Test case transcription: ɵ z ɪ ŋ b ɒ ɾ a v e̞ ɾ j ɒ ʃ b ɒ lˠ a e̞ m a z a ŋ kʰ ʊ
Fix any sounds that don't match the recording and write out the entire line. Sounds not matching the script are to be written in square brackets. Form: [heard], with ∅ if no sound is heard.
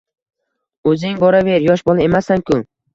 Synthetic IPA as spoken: ɵ z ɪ ŋ b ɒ ɾ a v e̞ ɾ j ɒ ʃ b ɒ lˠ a e̞ m a [s] a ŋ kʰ ʊ